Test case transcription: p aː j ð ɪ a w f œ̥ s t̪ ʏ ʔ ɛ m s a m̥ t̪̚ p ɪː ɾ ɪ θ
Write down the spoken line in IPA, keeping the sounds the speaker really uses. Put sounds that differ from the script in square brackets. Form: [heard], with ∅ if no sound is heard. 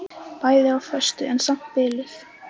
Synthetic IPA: p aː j ð ɪ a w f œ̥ s t̪ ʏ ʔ ɛ [n] s a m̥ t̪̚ p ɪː [l] ɪ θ